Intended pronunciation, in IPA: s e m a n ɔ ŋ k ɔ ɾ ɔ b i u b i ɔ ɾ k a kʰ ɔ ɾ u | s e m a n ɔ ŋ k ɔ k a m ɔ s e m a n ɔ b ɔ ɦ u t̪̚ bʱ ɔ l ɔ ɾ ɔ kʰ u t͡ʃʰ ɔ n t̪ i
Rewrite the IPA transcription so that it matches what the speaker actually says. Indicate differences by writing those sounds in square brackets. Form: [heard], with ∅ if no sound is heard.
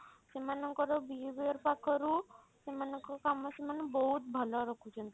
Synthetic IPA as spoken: s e m a n ɔ ŋ k ɔ ɾ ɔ b i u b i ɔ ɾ [p] a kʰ ɔ ɾ u | s e m a n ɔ ŋ k ɔ k a m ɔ s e m a n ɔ b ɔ ɦ u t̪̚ bʱ ɔ l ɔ ɾ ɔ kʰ u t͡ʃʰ ɔ n t̪ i